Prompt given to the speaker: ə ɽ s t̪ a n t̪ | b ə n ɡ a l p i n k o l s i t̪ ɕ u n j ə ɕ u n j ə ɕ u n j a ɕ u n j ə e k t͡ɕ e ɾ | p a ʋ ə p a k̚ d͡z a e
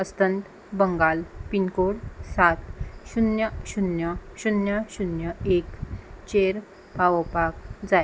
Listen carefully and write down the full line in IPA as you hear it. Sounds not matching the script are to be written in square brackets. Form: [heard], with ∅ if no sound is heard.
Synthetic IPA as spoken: ə [∅] s t̪ [ə] n t̪ | b ə [ŋ] ɡ a l p i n k o [ɽ] s [a] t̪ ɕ u n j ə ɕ u n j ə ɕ u n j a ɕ u n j ə e k t͡ɕ e ɾ | p a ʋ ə p a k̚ d͡z a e